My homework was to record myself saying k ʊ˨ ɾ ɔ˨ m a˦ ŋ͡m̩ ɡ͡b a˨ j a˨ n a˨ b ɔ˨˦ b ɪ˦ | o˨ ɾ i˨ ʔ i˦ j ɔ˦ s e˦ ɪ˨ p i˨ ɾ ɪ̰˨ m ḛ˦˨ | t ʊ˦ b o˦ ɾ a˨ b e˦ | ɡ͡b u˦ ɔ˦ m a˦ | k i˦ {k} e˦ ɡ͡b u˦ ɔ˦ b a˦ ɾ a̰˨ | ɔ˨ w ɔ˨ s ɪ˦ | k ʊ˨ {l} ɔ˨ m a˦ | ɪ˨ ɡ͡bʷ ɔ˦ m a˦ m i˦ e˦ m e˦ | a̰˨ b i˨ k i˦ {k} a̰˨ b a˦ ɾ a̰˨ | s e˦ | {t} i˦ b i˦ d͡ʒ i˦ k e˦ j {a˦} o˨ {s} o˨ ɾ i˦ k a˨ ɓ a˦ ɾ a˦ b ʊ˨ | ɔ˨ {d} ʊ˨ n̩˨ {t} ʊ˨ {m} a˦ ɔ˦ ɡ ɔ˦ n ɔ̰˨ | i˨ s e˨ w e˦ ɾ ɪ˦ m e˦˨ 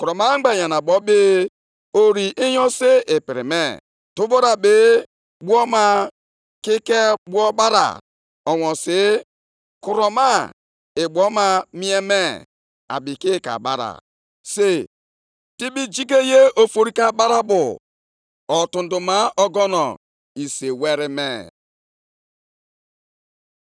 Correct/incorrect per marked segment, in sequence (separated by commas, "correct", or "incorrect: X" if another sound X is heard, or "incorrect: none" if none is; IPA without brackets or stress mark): correct, incorrect: ɾ, correct, correct, incorrect: e˦, incorrect: f, incorrect: t, incorrect: d, correct